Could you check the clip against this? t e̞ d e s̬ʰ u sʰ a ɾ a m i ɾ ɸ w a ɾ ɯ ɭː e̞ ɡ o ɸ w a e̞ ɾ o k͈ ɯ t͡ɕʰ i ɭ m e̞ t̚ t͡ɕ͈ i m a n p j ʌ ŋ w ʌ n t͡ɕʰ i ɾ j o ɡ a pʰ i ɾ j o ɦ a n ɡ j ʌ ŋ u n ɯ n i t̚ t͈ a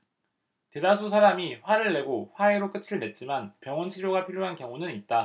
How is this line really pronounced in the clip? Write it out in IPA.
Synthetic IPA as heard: t e̞ d a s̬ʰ u sʰ a ɾ a m i ɸ w a ɾ ɯ ɭː e̞ ɡ o ɸ w a e̞ ɾ o k͈ ɯ t͡ɕʰ i ɭ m e̞ t̚ t͡ɕ͈ i m a n p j ʌ ŋ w ʌ n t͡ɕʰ i ɾ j o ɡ a pʰ i ɾ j o ɦ a n k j ʌ ŋ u n ɯ n i t̚ t͈ a

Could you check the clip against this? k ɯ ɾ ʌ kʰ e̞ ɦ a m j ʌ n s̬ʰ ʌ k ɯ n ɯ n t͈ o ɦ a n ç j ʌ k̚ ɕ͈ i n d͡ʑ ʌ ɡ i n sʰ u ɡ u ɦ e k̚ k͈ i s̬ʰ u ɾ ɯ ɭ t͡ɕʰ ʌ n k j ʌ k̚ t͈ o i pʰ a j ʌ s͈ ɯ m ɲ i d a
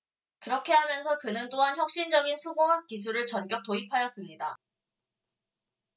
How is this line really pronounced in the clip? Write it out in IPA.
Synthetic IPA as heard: k ɯ ɾ ʌ kʰ e̞ ɦ a m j ʌ n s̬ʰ ʌ k ɯ n ɯ n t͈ o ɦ a n ç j ʌ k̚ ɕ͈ i n d͡ʑ ʌ ɡ i n sʰ u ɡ o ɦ a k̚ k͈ i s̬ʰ u ɾ ɯ ɭ t͡ɕ ʌ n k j ʌ k̚ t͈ o i pʰ a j ʌ s͈ ɯ m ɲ i d a

